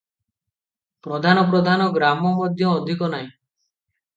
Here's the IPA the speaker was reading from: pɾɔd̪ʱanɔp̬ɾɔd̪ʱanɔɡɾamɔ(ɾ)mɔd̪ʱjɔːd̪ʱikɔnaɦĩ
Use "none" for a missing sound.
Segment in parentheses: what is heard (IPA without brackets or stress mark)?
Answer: none